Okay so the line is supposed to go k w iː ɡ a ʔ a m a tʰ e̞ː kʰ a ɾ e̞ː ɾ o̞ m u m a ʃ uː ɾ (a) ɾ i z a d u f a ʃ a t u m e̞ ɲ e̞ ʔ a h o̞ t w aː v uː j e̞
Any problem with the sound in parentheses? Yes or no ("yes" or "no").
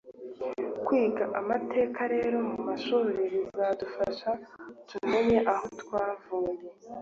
yes